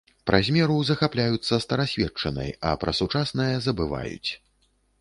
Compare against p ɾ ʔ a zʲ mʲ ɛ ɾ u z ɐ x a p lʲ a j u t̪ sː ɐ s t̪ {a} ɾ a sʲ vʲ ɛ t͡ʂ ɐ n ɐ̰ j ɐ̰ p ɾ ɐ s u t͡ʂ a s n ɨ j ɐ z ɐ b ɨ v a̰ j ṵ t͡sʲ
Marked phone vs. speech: incorrect: ɐ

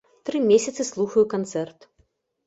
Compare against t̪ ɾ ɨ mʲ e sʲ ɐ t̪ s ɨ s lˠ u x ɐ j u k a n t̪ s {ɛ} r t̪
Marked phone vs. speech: correct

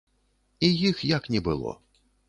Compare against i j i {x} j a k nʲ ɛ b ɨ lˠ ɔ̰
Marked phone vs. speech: correct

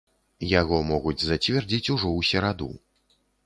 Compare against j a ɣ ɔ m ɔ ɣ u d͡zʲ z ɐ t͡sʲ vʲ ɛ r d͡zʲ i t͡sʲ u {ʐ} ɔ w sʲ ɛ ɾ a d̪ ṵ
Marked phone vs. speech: correct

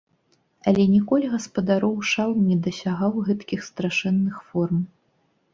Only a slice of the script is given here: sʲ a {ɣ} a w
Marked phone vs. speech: correct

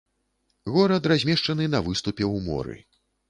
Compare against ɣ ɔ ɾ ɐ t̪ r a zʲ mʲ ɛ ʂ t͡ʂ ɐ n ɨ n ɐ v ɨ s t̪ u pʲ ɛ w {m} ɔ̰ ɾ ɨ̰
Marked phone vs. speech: correct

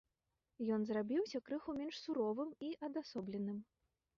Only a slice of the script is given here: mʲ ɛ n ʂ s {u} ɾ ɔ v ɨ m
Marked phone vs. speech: correct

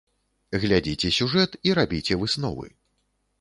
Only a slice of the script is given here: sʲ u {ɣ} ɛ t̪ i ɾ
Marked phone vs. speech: incorrect: ʐ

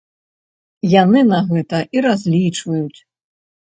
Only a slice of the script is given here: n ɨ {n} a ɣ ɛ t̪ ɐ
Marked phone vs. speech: correct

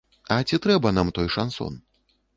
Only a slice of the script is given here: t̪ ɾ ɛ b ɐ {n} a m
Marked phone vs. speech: correct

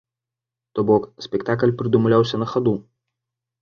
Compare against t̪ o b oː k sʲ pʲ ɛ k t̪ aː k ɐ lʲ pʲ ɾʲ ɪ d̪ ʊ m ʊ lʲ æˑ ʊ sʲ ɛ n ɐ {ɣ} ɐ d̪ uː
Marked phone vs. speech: incorrect: x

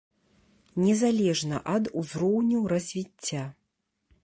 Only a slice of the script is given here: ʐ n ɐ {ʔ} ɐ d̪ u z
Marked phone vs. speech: correct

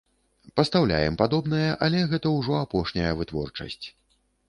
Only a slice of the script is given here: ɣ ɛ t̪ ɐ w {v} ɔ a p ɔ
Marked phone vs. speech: incorrect: ʐ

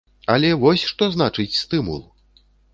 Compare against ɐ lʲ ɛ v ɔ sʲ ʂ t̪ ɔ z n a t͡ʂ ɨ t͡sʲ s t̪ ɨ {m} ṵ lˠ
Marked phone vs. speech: correct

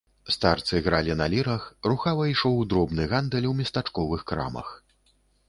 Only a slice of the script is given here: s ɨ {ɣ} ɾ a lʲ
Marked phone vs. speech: correct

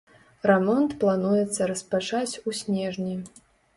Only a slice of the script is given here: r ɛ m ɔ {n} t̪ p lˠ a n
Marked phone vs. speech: correct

